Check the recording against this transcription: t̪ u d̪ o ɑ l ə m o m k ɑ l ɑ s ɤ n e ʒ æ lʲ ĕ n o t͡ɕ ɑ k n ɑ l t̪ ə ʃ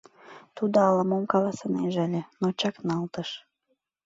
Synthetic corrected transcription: t̪ u d̪ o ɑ l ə m o m k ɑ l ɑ s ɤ n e ʒ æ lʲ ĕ n o t͡ɕ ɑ k n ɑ l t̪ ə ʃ